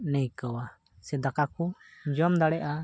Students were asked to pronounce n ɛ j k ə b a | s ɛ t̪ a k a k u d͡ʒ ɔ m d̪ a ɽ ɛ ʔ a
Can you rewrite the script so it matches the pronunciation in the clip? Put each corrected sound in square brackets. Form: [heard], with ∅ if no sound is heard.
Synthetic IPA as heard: n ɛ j k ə [w] a | s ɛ [d̪] a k a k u d͡ʒ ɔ m d̪ a ɽ ɛ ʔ a